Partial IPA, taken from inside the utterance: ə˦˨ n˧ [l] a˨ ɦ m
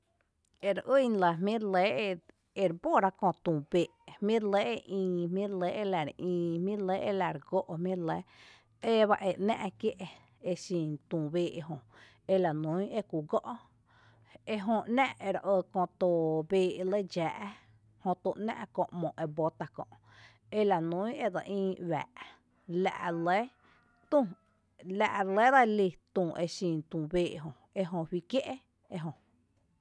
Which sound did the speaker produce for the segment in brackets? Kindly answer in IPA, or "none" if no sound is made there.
l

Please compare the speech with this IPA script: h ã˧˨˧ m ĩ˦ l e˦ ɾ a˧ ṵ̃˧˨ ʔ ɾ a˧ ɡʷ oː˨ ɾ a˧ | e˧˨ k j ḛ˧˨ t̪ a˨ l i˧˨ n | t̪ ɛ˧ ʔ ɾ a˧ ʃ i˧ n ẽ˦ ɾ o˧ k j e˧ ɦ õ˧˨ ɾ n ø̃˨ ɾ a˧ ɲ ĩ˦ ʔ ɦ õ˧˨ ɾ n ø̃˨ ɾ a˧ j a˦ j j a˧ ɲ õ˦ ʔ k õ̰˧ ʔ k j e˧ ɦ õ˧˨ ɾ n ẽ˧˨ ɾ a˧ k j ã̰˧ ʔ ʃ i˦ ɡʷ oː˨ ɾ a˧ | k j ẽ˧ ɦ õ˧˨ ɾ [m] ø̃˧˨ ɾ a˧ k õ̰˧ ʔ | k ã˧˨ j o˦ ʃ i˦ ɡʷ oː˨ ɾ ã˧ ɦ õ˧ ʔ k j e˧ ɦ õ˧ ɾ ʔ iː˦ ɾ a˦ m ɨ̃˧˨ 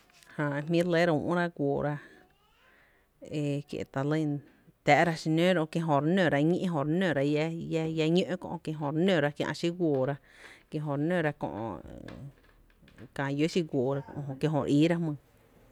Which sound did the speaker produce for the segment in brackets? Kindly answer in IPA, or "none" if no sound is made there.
n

